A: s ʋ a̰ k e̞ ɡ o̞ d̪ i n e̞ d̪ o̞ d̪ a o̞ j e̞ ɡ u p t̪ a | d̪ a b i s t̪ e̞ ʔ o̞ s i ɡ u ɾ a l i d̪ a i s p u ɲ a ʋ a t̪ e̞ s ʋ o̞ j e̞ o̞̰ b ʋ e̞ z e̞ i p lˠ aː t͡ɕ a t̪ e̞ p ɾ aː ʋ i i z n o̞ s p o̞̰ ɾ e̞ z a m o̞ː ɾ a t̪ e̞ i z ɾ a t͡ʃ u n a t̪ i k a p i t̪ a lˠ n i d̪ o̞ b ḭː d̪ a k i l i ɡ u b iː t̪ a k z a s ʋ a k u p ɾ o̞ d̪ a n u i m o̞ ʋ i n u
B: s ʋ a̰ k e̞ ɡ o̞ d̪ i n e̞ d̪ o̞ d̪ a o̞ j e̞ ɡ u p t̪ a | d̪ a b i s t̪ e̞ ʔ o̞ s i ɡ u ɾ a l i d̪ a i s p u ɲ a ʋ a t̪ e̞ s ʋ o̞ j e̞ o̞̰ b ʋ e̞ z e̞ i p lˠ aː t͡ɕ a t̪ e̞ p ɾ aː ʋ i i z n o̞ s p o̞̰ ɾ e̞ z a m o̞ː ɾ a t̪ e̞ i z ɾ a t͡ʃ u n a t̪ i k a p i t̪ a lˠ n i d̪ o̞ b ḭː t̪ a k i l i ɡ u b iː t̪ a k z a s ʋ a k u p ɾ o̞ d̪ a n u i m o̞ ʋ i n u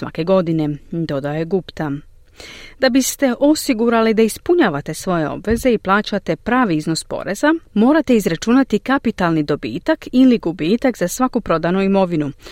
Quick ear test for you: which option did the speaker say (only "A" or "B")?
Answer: B